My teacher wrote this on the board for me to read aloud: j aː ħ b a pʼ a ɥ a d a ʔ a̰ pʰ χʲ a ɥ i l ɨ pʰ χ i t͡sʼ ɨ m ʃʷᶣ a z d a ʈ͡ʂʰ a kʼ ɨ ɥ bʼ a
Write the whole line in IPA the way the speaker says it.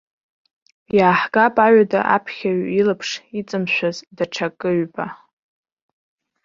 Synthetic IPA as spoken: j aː ħ ɡ a pʼ a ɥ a d a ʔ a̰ pʰ χʲ a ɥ i l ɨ pʰ ʂ i t͡sʼ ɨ m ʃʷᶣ a z d a ʈ͡ʂʰ a kʼ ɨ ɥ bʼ a